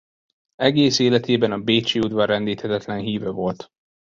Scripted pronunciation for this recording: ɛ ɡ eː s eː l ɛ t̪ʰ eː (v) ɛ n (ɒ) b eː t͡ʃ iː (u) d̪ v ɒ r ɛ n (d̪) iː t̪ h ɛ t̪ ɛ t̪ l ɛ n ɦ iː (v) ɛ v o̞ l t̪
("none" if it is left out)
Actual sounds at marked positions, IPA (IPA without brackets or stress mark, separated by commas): b, ɒ, u, d̪, v